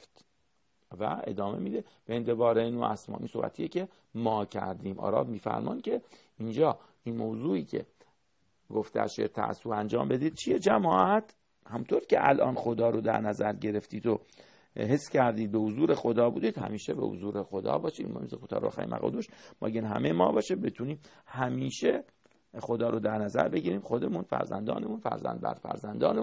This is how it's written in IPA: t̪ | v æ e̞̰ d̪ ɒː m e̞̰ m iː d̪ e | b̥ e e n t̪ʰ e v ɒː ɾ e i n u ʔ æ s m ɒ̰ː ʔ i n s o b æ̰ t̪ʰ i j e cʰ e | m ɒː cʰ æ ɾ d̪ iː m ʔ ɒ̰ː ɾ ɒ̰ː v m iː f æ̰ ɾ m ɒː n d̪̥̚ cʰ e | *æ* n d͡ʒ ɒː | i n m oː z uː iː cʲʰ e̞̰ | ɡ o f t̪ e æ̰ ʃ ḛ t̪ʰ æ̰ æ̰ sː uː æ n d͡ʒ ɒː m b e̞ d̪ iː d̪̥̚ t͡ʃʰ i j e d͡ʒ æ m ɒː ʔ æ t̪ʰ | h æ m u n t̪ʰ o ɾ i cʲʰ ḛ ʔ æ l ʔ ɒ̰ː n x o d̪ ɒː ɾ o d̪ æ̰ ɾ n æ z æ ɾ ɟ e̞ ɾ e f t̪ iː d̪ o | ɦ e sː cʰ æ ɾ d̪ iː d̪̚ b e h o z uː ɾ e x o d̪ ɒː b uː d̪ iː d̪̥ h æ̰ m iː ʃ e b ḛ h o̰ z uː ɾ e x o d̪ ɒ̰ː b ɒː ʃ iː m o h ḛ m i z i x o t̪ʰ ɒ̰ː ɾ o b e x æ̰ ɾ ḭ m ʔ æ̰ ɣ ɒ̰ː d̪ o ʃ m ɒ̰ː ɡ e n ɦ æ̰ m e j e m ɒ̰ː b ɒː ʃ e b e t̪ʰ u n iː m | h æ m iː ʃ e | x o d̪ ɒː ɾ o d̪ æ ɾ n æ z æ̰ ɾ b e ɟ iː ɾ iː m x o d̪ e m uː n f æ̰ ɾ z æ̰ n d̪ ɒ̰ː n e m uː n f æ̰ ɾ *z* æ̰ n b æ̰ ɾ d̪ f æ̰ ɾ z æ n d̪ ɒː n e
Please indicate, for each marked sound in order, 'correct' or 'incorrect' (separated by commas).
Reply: incorrect, correct